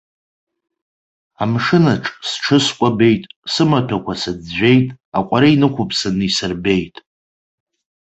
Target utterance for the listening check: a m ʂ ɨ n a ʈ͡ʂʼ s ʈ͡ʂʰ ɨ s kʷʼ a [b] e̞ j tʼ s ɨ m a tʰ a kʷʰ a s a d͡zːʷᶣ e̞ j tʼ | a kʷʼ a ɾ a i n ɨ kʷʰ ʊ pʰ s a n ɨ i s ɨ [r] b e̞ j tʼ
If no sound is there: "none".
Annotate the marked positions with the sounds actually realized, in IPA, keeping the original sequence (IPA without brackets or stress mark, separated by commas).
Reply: b, r